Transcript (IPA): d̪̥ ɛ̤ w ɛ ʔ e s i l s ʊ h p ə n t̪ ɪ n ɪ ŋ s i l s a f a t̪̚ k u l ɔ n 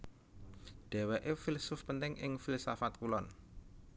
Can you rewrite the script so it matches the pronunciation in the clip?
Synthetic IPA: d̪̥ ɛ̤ w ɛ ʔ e f i l s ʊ f p ə n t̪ ɪ ŋ ɪ ŋ f i l s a f a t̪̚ k u l ɔ n